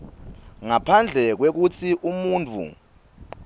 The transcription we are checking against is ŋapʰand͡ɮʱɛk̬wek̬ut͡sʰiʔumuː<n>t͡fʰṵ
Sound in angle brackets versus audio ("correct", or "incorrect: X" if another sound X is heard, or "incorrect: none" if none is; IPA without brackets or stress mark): correct